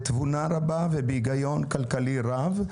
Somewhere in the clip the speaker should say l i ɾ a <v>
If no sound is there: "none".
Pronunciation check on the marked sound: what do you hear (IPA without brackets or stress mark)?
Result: v